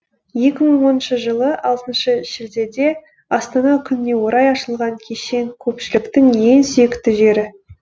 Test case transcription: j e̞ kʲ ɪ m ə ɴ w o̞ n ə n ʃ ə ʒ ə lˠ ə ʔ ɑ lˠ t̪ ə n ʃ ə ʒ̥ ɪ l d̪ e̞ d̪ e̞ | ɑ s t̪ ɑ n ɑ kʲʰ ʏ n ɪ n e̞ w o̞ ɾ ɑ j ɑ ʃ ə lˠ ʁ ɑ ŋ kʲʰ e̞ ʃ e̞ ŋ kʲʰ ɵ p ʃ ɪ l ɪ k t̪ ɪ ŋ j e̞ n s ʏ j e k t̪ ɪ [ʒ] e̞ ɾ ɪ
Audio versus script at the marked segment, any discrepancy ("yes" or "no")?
no